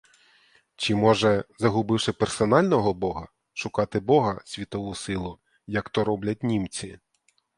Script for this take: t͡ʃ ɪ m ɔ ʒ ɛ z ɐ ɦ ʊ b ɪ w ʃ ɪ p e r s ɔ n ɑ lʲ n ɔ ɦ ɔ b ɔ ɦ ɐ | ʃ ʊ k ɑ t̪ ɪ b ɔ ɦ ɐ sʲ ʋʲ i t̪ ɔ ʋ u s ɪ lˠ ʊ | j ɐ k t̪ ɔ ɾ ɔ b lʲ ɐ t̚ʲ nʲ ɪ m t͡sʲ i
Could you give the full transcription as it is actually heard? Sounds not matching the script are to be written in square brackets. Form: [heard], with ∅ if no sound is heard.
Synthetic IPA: t͡ʃ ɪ m ɔ ʒ ɛ z ɐ ɦ ʊ b ɪ w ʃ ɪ p e r s ɔ n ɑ lʲ n ɔ ɦ ɔ b ɔ ɦ ɐ | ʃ ʊ k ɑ t̪ ɪ b ɔ ɦ ɐ sʲ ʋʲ i t̪ ɔ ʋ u s ɪ lˠ ʊ | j ɐ k t̪ ɔ ɾ ɔ b lʲ ɐ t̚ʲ nʲ [i] m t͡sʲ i

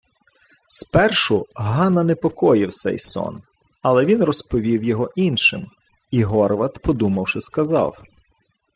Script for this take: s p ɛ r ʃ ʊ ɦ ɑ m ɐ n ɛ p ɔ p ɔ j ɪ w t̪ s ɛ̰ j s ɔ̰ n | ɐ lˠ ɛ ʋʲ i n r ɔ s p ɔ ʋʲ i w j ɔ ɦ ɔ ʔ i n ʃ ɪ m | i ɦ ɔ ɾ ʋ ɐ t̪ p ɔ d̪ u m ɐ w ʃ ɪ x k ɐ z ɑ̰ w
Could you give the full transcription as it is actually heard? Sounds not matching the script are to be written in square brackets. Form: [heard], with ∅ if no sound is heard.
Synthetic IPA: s p ɛ r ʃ ʊ ɦ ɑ [n] ɐ n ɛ p ɔ [k] ɔ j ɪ w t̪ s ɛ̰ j s ɔ̰ n | ɐ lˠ ɛ ʋʲ i n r ɔ s p ɔ ʋʲ i w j ɔ ɦ ɔ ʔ i n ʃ ɪ m | i ɦ ɔ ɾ ʋ ɐ t̪ p ɔ d̪ u m ɐ w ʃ ɪ [s] k ɐ z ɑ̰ w

